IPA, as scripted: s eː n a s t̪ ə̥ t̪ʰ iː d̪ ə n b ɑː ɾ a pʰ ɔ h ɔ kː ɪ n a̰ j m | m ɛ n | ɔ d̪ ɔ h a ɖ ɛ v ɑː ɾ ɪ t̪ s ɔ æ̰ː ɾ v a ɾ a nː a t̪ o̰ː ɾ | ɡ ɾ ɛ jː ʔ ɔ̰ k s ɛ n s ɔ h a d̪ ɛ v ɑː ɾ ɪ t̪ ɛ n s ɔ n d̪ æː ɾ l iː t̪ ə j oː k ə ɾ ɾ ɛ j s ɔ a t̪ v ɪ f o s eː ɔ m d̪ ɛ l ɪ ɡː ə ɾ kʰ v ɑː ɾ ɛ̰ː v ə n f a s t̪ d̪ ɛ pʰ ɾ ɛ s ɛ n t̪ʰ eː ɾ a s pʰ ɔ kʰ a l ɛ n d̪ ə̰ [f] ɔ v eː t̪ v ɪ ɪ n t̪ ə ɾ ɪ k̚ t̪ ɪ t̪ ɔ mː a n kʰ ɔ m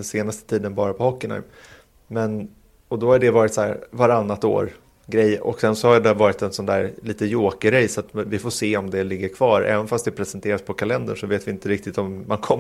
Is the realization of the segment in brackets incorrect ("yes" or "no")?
yes